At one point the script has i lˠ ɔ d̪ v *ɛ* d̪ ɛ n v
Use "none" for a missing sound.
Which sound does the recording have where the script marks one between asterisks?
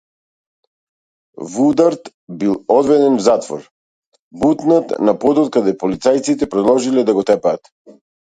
ɛ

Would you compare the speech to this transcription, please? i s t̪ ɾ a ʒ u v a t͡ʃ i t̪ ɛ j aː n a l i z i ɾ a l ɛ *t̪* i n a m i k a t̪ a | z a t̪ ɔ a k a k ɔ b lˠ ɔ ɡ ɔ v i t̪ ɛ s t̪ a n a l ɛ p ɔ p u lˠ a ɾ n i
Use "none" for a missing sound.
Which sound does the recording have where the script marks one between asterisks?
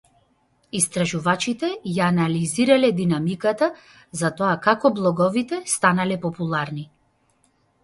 d̪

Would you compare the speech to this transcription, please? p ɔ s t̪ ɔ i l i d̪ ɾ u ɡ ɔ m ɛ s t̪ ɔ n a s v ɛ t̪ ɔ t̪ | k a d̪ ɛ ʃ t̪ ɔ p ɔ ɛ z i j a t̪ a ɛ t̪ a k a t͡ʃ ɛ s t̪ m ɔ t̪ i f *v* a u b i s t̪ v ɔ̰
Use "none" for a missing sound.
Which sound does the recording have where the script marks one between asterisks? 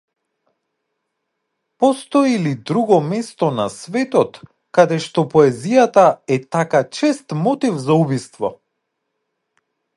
z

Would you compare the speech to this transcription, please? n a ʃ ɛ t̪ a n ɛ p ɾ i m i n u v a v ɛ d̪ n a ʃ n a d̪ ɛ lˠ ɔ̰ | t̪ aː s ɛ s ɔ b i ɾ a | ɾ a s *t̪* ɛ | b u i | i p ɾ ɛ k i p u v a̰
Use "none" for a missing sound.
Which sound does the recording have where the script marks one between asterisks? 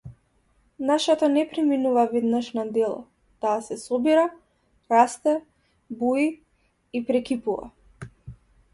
t̪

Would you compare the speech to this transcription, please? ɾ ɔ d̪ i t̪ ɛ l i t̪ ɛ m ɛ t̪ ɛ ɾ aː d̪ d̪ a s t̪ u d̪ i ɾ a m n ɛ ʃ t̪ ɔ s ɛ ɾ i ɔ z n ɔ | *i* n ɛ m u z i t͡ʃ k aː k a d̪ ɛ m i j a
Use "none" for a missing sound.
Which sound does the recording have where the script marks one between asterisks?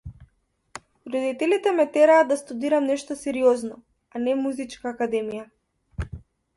a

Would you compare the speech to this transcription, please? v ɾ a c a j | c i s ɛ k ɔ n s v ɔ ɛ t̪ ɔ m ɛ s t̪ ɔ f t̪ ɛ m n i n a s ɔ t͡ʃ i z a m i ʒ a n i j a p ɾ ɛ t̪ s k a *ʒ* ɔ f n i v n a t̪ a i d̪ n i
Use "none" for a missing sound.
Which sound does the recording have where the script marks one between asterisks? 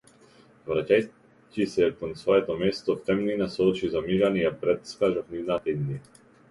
ʒ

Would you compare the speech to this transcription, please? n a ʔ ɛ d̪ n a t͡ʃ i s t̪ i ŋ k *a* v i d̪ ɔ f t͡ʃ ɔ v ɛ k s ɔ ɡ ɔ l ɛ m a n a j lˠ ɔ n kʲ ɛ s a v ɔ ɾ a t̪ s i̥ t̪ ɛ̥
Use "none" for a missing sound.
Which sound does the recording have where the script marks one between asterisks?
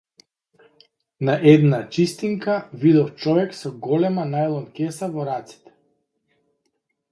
a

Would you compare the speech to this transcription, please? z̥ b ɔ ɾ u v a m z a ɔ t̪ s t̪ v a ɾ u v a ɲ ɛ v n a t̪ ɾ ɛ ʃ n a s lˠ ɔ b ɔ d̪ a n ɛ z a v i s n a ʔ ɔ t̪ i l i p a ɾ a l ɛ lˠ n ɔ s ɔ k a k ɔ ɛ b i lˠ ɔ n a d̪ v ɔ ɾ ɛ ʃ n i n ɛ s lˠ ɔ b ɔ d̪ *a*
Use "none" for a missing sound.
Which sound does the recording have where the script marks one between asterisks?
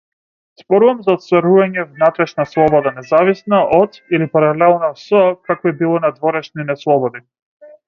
i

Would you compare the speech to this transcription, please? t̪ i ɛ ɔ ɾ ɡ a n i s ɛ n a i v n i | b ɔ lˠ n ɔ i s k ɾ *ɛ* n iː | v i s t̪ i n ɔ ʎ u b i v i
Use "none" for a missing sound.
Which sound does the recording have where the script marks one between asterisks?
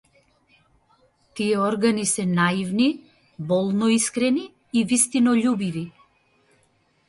ɛ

